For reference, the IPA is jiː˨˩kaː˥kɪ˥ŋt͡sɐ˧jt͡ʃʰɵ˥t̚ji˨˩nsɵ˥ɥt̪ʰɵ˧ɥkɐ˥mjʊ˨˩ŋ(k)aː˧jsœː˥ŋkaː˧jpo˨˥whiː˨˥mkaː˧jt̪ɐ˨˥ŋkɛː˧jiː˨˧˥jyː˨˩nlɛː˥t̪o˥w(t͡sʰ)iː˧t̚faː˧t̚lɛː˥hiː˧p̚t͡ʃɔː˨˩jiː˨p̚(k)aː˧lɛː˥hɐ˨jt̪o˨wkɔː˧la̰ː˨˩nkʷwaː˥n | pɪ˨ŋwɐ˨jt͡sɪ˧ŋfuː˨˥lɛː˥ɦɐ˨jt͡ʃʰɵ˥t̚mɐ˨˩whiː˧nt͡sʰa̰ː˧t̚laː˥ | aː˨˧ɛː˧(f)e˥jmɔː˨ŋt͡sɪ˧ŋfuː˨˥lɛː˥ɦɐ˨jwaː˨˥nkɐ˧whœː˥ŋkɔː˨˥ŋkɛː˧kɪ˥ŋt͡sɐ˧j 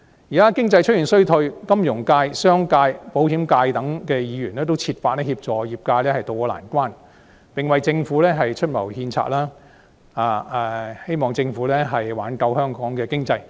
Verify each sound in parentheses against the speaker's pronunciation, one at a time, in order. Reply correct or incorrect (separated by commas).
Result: correct, correct, correct, incorrect